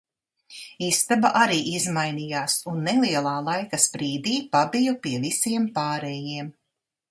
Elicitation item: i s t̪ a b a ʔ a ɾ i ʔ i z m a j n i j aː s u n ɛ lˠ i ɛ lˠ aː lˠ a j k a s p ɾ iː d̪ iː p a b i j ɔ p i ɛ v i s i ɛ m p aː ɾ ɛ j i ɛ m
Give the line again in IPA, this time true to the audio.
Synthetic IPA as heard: i s t̪ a b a ʔ a ɾ iː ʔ i z m a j n i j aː s u nː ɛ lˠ i ɛ lˠ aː lˠ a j k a s p ɾ iː d̪ iː p a b i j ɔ p i ɛ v i s i ɛ m p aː ɾ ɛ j i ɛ m